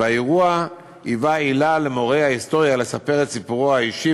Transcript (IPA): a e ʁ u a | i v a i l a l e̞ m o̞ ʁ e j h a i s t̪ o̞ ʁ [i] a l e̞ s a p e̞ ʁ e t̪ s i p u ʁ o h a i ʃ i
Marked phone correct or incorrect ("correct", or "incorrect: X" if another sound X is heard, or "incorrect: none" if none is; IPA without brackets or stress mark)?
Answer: incorrect: j